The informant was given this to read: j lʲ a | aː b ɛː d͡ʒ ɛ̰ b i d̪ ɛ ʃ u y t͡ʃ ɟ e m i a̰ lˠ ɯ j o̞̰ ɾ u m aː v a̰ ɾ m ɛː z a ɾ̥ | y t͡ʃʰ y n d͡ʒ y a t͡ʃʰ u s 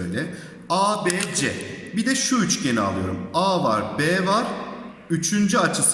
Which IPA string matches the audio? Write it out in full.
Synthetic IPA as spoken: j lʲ ɛ | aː b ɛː d͡ʒ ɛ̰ b i d̪ ɛ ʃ u y t͡ʃ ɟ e n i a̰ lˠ ɯ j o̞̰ ɾ u m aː v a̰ ɾ b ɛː v a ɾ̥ | y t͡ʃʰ y n d͡ʒ y a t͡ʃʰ ɯ s